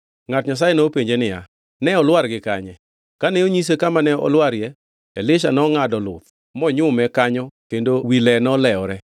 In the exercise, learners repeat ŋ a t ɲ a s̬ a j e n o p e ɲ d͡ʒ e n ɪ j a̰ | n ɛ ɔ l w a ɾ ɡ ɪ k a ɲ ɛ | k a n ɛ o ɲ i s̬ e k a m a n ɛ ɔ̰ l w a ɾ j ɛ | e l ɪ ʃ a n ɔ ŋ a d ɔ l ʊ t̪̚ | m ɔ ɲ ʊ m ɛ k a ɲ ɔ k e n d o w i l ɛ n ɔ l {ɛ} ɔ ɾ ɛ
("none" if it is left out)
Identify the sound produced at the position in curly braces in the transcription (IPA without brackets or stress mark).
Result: ɛ